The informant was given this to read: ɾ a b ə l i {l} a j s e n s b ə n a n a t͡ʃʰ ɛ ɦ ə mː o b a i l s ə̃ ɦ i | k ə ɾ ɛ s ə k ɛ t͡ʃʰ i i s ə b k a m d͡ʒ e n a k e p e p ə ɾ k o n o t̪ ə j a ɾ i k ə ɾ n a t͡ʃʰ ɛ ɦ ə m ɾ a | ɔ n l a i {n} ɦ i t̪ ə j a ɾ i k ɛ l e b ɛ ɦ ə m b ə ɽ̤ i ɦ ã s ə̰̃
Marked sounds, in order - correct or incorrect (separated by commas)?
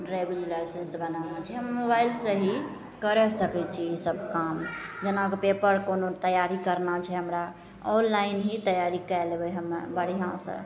correct, correct